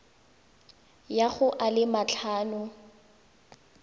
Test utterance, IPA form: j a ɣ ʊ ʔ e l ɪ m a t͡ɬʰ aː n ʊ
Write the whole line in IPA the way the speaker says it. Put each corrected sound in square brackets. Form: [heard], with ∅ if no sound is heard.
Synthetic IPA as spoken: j a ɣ ʊ ʔ [a] l ɪ m a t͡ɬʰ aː n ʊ